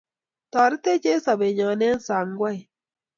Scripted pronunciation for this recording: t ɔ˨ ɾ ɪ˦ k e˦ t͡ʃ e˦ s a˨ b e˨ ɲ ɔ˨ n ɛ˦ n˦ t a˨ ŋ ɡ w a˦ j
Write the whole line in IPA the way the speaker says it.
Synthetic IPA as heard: t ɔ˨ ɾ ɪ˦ t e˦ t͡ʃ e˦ s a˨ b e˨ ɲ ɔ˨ n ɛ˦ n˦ s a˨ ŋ ɡ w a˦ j